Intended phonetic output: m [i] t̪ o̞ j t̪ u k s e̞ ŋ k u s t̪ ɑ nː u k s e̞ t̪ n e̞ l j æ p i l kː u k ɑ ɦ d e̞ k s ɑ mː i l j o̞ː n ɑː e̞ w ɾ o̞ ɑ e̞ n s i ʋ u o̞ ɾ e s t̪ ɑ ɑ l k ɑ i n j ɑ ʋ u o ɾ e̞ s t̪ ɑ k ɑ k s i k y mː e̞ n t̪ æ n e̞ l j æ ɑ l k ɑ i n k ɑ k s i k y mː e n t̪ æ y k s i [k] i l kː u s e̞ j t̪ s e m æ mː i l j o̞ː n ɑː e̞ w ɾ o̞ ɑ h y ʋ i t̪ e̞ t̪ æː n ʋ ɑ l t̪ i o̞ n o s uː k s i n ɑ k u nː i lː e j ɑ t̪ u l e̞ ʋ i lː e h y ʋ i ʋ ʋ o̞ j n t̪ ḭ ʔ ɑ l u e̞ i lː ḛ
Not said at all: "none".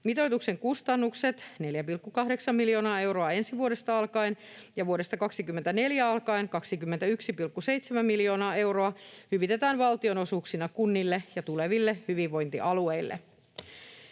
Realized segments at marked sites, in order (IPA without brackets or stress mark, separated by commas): i, p